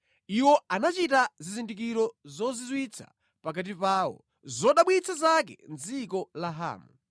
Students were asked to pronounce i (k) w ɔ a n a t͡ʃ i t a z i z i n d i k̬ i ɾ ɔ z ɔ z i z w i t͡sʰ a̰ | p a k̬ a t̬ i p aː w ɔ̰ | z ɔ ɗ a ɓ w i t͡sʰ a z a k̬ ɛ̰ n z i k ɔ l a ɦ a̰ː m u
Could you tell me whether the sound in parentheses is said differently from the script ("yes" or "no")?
yes